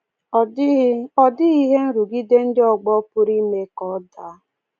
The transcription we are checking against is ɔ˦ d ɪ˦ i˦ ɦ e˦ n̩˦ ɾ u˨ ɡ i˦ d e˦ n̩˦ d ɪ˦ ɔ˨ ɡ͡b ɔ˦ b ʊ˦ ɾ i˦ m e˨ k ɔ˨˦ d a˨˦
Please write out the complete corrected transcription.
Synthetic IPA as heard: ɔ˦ d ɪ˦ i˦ ɦ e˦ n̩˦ ɾ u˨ ɡ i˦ d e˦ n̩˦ d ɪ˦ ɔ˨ ɡ͡b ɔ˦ p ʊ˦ ɾ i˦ m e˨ k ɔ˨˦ d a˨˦